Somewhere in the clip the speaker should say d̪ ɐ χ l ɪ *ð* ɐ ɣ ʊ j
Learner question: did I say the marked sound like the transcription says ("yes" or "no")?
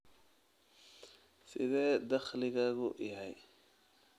no